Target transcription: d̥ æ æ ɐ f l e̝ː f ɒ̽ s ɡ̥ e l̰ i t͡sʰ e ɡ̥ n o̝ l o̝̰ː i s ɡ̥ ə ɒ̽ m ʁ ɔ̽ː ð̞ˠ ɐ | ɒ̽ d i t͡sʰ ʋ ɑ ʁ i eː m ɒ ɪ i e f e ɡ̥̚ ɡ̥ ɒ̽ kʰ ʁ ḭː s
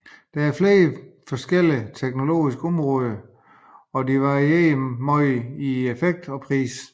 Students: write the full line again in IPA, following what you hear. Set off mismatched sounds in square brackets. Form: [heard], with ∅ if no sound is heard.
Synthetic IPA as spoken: d̥ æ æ ɐ f l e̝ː f ɒ̽ s ɡ̥ e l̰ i t͡sʰ e ɡ̥ n o̝ l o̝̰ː i s ɡ̥ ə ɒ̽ m ʁ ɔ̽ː ð̞ˠ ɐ | ɒ̽ d i [∅] ʋ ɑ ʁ i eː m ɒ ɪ i e f e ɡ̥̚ [d̥] ɒ̽ [pʰ] ʁ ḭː s